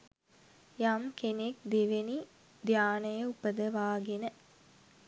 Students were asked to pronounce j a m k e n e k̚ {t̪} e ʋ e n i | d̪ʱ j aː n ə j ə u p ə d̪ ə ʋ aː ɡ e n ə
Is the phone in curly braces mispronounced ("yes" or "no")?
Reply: yes